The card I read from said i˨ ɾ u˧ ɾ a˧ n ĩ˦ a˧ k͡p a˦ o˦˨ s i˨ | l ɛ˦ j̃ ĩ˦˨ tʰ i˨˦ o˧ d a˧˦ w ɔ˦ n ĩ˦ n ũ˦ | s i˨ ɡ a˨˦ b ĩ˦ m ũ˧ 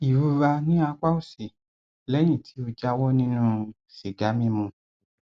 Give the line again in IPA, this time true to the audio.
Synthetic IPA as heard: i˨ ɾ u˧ ɾ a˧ n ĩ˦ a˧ k͡p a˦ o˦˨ s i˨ | l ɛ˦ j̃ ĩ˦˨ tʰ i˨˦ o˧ d͡ʒ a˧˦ w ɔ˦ n ĩ˦ n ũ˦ | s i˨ ɡ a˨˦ m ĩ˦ m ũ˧

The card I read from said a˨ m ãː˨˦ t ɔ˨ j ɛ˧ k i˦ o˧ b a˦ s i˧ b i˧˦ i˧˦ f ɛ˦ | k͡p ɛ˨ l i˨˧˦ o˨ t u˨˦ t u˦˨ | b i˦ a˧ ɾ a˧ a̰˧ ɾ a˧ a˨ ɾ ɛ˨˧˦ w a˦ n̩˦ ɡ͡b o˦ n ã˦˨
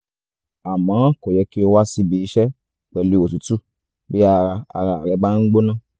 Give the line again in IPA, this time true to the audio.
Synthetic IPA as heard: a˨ m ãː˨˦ k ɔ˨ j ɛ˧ k i˦ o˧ w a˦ s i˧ b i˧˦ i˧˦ ʃ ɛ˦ | k͡p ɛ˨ l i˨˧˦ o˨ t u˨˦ t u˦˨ | b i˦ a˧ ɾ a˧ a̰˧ ɾ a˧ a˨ ɾ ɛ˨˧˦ b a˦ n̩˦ ɡ͡b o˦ n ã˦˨

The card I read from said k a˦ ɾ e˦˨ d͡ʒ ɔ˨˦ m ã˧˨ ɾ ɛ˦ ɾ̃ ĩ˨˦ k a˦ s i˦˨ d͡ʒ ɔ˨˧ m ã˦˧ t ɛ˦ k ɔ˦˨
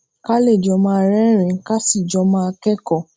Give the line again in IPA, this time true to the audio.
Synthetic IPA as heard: k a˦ l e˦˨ d͡ʒ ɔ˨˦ m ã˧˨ ɾ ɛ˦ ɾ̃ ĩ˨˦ k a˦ s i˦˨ d͡ʒ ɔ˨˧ m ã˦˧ k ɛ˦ k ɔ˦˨

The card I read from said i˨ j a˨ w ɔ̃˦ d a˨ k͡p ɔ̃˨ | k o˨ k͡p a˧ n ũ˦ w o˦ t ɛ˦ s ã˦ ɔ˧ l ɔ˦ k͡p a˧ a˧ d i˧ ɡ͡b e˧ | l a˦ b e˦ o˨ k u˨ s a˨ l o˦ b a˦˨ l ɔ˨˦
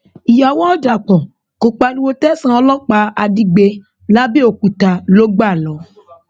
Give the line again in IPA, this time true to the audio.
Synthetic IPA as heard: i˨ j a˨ w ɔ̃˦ d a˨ k͡p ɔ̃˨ | k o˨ k͡p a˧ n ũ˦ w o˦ t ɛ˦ s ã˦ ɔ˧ l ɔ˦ k͡p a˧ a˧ d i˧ ɡ͡b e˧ | l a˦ b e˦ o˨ k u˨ t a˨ l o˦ ɡ͡b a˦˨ l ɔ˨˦

